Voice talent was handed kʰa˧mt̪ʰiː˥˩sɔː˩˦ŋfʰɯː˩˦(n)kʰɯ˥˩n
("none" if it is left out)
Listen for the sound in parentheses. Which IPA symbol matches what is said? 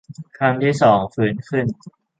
n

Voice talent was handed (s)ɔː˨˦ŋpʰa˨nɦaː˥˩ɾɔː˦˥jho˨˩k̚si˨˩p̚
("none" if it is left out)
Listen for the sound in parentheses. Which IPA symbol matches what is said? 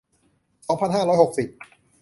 s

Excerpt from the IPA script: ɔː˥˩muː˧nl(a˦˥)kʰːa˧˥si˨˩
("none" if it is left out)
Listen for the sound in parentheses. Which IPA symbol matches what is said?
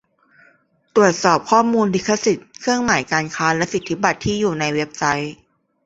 i˦˥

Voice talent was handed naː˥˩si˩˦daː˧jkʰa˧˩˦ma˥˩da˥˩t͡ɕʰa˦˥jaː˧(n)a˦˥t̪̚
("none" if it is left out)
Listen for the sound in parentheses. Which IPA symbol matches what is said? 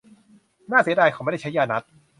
n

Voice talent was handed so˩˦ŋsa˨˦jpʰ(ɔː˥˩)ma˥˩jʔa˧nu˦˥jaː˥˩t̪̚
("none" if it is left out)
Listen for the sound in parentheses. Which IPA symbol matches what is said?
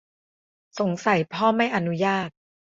ɔː˥˩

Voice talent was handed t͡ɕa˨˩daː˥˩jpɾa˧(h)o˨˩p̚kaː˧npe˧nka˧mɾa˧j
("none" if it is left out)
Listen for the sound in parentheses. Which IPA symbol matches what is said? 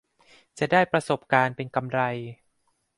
s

